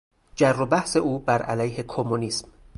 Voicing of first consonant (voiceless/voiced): voiced